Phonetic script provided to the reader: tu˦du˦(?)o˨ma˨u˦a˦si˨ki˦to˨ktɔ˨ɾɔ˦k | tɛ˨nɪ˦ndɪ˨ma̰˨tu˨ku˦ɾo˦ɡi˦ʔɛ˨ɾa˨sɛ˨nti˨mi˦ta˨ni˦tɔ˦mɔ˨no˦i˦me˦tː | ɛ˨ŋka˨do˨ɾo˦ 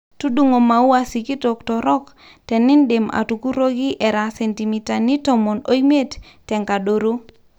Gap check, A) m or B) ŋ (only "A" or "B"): B